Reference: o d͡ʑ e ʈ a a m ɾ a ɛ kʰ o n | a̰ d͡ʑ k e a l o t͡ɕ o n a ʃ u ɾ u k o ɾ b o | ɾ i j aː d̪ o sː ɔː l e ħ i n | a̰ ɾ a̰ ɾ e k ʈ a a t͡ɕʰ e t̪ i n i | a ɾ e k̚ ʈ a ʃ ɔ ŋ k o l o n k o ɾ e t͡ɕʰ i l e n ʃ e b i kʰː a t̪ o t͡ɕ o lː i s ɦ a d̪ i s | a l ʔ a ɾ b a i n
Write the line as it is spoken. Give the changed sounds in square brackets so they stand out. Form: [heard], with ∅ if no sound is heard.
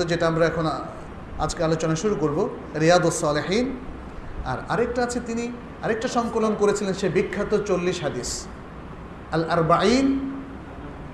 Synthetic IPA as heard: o d͡ʑ e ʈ a a m ɾ a ɛ kʰ o n | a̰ d͡ʑ k e a l o t͡ɕ o n a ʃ u ɾ u k o ɾ b o | ɾ i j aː d̪ o sː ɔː l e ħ i n | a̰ ɾ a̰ ɾ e k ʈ a a t͡ɕʰ e t̪ i n i | a ɾ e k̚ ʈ a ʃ ɔ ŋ k o l o n k o ɾ e t͡ɕʰ i l e n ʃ e b i kʰː a t̪ o t͡ɕ o lː i [ʃ] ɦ a d̪ i s | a l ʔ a ɾ b a i n